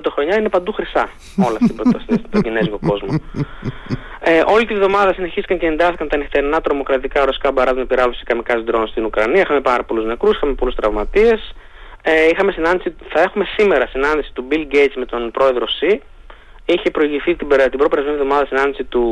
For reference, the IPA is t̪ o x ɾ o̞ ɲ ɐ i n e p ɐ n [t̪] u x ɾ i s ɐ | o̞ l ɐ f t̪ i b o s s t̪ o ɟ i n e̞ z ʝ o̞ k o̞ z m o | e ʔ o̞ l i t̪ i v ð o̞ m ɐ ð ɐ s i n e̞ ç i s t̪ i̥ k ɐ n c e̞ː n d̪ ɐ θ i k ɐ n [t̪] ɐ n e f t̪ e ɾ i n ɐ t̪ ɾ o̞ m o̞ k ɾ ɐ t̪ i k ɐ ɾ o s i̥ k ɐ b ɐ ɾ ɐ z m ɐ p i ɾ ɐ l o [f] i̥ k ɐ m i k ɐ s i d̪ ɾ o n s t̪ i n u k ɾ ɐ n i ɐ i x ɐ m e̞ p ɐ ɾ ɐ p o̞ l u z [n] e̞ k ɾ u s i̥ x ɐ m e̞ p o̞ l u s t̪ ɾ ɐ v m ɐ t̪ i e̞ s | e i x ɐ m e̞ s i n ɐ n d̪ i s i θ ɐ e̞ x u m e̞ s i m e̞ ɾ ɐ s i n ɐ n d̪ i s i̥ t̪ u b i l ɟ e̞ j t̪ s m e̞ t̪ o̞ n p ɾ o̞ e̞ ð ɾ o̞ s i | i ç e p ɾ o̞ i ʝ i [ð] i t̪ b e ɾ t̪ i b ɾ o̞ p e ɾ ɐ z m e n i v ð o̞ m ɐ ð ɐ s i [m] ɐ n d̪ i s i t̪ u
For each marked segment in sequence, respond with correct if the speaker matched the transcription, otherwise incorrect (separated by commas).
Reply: incorrect, correct, incorrect, correct, incorrect, incorrect